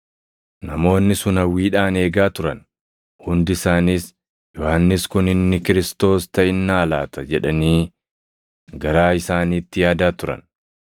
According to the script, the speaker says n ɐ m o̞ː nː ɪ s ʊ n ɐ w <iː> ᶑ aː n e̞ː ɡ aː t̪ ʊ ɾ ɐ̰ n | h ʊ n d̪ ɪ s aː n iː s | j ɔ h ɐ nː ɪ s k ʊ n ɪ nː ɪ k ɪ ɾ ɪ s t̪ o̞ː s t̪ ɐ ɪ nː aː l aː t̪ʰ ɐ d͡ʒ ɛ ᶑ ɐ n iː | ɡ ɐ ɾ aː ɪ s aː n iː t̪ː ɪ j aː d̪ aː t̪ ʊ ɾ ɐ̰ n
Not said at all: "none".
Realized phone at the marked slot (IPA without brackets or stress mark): iː